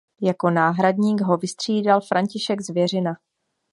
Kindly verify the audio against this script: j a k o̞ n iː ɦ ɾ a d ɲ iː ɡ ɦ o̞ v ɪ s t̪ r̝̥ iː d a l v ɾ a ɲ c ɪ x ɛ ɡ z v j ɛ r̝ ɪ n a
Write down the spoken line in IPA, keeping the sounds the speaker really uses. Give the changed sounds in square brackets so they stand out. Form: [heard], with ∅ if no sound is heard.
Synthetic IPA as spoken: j a k o̞ n [aː] ɦ ɾ a d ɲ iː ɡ ɦ o̞ v ɪ s t̪ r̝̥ iː d a l [f] ɾ a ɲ c ɪ [ʃ] ɛ ɡ z v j ɛ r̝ ɪ n a